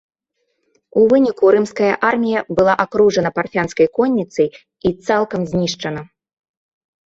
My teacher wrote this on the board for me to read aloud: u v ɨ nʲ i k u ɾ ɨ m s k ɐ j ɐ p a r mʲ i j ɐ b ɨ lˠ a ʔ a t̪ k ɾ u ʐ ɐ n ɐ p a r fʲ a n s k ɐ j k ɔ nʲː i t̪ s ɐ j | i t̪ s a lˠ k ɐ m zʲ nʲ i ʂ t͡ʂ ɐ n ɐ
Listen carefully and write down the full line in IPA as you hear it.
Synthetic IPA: u v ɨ nʲ i k u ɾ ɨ m s k ɐ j ɐ ʔ a r mʲ i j ɐ b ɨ lˠ a ʔ a k ɾ u ʐ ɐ n ɐ p a r fʲ a n s k ɐ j k ɔ nʲː i t̪ s ɐ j | i t̪ s a lˠ k ɐ m zʲ nʲ i ʂ t͡ʂ ɐ n ɐ